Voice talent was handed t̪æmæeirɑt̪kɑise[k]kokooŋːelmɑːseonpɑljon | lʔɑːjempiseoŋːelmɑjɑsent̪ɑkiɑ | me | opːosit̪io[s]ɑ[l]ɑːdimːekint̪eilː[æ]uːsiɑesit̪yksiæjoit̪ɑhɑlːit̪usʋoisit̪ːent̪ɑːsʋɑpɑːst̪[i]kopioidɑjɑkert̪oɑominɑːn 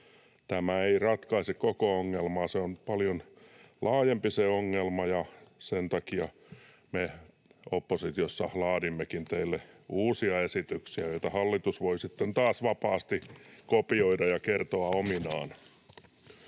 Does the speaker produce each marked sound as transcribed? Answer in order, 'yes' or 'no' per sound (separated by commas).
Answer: yes, no, yes, no, yes